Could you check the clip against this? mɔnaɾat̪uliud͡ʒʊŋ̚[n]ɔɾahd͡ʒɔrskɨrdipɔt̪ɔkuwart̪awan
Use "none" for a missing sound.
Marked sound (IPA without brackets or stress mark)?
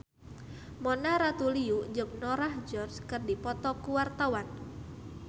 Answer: n